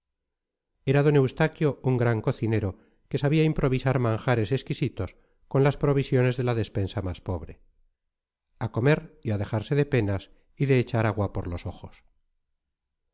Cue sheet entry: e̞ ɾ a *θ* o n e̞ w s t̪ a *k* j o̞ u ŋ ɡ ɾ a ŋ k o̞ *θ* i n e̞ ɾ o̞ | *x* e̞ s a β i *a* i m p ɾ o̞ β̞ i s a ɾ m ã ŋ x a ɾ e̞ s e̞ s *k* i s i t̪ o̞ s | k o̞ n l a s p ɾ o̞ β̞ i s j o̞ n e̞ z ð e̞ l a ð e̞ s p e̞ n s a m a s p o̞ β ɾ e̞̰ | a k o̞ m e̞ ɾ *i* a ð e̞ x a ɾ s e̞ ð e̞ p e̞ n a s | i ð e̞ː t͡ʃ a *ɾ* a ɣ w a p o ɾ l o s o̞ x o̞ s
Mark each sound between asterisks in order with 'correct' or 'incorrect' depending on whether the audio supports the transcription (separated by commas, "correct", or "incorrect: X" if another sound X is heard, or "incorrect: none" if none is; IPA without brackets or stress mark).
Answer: incorrect: ð, correct, correct, incorrect: k, correct, correct, correct, correct